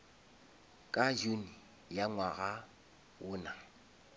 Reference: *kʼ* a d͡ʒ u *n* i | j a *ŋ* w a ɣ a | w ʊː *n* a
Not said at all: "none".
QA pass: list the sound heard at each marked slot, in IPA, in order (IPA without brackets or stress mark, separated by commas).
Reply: kʼ, n, ŋ, n